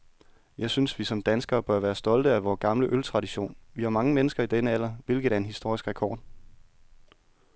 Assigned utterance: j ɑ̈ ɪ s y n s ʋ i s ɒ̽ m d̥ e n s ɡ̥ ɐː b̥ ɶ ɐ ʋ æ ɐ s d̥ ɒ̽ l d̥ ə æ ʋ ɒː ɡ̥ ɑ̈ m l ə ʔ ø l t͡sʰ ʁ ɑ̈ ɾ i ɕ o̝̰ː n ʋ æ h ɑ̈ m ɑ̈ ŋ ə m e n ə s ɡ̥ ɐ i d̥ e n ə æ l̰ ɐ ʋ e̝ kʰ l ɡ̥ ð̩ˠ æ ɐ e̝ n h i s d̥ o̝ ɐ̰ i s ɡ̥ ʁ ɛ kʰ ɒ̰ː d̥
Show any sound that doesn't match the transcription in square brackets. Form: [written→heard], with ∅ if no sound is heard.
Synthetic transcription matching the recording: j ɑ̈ ɪ s y n s ʋ i s ɒ̽ m d̥ [e→æ] n s ɡ̥ ɐː b̥ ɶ ɐ ʋ [æ→æː] ɐ s d̥ ɒ̽ l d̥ ə æ ʋ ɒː ɡ̥ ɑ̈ m l ə ʔ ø l t͡sʰ ʁ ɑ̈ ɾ i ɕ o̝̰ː n ʋ [æ→i] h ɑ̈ m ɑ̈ ŋ ə m e n ə s ɡ̥ ɐ i d̥ e n ə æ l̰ ɐ ʋ e̝ [kʰ→∅] l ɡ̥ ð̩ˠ æ ɐ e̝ n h i s d̥ o̝ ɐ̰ i s ɡ̥ ʁ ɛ kʰ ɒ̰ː d̥